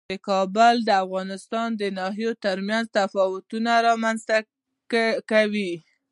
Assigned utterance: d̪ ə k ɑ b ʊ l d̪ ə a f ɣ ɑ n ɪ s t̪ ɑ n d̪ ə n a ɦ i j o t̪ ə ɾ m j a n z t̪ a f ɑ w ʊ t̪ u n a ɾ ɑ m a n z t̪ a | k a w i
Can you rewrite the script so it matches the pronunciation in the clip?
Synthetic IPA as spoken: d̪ ə k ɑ b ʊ l d̪ ə a f ɣ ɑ n ɪ s t̪ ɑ n d̪ ə n ɑ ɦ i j o t̪ ə ɾ m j a n z t̪ a f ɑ w ʊ t̪ u n a ɾ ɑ m a n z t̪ a | k a w i

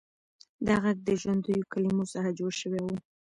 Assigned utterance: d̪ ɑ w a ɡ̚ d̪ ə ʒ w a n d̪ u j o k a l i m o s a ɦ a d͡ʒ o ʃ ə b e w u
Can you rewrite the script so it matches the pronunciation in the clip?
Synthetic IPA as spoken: d̪ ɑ ɣ a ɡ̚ d̪ ə ʒ w a n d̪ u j o k a l i m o s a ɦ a d͡ʒ o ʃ ə w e w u

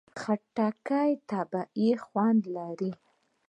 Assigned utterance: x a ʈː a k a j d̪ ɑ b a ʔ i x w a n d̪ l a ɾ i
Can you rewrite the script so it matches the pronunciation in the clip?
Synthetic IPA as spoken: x a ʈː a k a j t̪ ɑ b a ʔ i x w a n d̪ l a ɾ i

